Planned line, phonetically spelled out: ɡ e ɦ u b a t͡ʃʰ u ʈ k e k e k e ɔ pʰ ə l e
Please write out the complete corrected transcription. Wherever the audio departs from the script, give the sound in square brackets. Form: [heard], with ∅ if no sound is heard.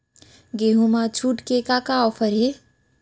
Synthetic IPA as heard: ɡ e ɦ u [m] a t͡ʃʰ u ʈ k e k [a] k [a] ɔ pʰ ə [ɾ] e